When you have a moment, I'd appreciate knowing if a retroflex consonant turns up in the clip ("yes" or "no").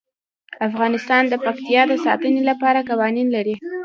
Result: no